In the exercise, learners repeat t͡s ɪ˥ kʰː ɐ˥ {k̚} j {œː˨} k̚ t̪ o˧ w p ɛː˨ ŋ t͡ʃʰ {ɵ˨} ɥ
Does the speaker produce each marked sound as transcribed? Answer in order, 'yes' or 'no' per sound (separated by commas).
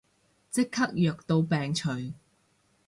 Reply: yes, yes, yes